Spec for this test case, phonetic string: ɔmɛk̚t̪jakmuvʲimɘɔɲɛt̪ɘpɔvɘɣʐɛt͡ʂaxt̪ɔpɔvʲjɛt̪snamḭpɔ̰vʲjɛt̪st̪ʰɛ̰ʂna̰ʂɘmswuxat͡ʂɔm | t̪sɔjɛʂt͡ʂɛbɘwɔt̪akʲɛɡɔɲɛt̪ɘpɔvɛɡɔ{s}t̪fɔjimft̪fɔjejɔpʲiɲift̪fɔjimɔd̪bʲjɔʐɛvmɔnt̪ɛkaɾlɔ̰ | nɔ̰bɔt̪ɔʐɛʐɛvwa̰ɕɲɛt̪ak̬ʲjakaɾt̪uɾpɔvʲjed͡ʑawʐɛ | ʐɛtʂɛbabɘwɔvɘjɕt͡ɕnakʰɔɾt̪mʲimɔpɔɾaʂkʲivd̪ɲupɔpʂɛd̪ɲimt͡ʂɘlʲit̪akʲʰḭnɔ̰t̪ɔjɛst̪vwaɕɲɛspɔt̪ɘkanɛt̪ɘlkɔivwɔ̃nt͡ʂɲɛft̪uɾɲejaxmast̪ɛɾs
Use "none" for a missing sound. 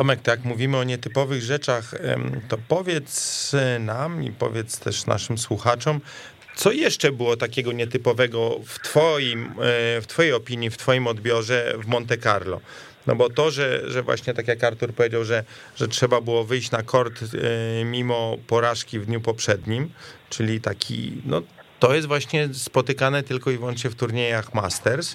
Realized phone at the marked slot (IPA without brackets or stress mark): f